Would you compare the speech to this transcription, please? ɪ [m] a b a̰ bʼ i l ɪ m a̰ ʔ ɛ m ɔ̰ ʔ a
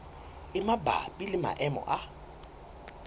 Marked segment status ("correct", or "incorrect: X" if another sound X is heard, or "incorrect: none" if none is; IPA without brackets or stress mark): correct